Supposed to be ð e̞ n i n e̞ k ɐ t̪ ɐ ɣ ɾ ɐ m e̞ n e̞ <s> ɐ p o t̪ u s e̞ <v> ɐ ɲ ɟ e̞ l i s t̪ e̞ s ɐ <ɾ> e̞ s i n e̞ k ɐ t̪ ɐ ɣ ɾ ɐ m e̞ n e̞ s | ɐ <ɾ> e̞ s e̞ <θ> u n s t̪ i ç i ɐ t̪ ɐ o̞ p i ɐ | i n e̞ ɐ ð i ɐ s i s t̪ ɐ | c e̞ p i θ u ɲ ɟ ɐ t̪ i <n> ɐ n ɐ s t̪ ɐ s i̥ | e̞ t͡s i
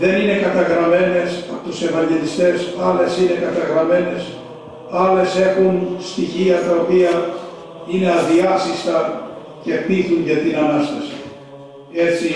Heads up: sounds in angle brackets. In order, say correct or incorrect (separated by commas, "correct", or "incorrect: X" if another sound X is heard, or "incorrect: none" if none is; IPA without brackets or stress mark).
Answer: correct, correct, incorrect: l, incorrect: l, incorrect: x, correct